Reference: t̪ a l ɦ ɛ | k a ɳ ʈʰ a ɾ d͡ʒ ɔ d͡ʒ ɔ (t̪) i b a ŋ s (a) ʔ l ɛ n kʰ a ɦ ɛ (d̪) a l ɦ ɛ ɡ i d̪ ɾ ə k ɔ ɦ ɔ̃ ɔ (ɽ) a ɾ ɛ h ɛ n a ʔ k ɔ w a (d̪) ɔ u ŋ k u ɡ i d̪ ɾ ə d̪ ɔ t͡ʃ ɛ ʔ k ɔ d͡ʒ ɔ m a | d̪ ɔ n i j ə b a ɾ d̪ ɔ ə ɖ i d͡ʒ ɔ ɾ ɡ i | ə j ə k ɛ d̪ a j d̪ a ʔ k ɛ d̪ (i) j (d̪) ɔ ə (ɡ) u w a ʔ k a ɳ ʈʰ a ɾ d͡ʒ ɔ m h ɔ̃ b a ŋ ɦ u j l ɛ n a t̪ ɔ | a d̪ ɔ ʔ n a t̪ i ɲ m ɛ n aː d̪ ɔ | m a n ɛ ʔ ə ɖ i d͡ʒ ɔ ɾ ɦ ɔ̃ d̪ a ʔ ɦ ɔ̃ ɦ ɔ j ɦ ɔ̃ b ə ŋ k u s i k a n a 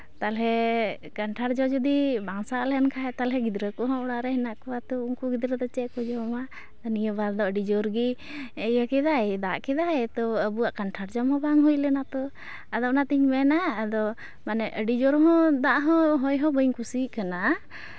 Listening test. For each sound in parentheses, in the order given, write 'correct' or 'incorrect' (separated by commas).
incorrect, correct, incorrect, correct, incorrect, incorrect, incorrect, incorrect